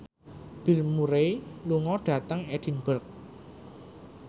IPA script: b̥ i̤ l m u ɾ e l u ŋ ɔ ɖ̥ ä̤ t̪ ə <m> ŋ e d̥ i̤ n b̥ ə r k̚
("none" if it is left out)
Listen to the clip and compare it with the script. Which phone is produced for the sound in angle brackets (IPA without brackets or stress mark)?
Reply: none